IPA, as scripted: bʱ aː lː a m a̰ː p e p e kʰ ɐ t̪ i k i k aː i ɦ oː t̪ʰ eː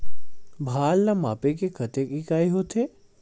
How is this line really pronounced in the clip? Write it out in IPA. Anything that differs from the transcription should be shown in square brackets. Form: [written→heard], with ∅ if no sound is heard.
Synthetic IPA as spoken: bʱ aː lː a m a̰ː p e [p→k] e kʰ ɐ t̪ [i→e] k i k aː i ɦ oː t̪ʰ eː